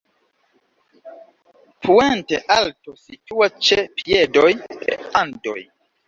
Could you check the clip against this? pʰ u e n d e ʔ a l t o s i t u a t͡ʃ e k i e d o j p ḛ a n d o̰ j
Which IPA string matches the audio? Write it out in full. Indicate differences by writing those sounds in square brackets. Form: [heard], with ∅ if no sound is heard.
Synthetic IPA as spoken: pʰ u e n [t] e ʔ a l t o s i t u a t͡ʃ e [p] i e d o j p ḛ a n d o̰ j